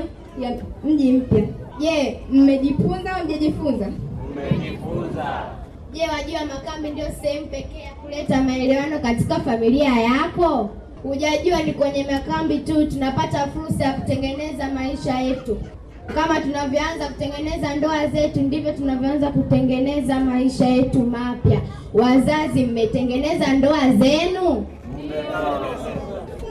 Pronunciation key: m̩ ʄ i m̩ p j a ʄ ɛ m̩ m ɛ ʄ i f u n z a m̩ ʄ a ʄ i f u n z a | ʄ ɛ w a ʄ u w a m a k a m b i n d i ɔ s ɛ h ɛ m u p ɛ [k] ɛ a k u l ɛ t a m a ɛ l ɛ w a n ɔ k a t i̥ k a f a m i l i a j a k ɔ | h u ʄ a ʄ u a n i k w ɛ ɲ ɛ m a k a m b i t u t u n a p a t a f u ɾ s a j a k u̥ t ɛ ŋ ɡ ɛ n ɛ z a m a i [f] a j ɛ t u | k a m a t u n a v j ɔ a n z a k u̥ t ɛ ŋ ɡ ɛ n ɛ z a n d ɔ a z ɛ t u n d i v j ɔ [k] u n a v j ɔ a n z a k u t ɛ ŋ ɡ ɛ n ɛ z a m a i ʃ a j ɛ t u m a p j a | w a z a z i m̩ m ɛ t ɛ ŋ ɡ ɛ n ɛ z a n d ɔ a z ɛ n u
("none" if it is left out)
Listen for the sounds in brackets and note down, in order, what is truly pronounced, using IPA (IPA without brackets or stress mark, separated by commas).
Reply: k, ʃ, t